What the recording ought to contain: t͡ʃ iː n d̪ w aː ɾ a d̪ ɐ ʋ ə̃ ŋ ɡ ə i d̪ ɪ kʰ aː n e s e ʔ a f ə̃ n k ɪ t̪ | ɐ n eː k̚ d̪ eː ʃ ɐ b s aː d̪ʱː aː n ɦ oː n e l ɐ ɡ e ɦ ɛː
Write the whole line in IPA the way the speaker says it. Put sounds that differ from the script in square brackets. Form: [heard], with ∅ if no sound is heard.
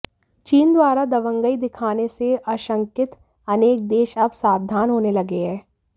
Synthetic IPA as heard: t͡ʃ iː n d̪ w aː ɾ a d̪ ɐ ʋ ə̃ ŋ ɡ ə i d̪ ɪ kʰ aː n e s e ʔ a [ʃ] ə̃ [ŋ] k ɪ t̪ | ɐ n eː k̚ d̪ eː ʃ ɐ b s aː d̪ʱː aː n ɦ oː n e l ɐ ɡ e ɦ ɛː